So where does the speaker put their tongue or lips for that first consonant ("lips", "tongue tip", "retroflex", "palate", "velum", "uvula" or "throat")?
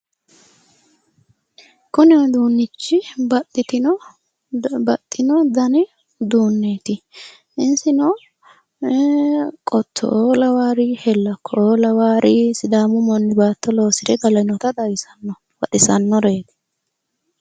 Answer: velum